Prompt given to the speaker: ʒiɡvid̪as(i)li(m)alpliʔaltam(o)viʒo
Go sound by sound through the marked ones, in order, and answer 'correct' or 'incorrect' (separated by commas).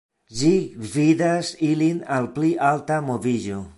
correct, incorrect, correct